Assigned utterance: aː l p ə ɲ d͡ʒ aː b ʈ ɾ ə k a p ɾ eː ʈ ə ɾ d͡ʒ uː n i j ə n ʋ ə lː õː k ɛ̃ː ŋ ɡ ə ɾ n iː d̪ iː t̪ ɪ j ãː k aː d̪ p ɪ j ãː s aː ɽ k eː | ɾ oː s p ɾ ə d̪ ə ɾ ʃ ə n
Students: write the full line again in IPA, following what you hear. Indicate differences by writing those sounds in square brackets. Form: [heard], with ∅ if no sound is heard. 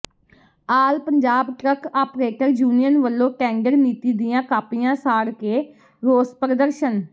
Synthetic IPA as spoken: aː l p ə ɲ d͡ʒ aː b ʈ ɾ ə k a p ɾ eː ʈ ə ɾ d͡ʒ uː n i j ə n ʋ ə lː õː k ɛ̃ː ŋ ɡ ə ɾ n iː [t̪] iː [d̪] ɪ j ãː k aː [∅] p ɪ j ãː s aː ɽ k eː | ɾ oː s p ɾ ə d̪ ə ɾ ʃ ə n